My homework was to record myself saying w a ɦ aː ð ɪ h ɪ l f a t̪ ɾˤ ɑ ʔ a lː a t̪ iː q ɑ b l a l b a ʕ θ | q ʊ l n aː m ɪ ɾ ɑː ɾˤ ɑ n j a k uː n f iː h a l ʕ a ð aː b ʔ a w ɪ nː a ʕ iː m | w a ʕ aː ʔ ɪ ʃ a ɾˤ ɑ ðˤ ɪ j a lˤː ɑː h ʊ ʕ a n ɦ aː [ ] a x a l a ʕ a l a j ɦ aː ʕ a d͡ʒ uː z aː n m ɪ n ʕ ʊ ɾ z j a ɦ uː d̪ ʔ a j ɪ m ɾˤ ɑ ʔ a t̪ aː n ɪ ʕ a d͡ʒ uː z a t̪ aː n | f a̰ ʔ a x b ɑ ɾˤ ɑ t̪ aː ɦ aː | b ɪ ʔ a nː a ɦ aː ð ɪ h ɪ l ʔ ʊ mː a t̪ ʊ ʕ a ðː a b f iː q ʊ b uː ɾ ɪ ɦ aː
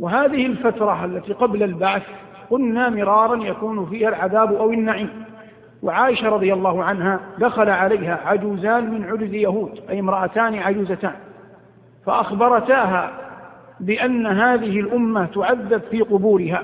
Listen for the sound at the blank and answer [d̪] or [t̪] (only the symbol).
d̪